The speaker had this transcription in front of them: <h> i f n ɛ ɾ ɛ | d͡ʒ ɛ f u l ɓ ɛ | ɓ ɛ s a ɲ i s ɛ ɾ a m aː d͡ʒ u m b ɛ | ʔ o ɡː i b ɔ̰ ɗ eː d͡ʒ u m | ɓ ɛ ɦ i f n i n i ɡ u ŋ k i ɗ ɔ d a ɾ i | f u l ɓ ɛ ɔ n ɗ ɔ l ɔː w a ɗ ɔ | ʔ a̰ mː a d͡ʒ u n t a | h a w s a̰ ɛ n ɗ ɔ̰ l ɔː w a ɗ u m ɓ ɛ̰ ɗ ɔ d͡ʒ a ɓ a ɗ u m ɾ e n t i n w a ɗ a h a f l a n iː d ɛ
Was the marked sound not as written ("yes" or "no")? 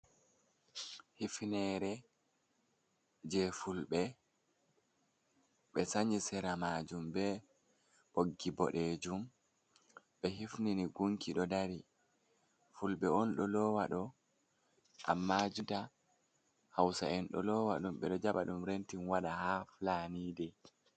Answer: no